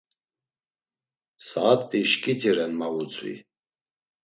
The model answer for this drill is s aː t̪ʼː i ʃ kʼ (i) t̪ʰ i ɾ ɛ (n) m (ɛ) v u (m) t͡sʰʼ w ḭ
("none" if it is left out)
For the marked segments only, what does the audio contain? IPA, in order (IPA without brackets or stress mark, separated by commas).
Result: i, n, a, none